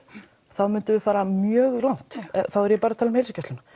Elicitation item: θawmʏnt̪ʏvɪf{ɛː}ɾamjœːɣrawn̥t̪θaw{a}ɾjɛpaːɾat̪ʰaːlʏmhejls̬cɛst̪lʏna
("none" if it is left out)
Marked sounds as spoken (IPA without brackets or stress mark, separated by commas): aː, ɛ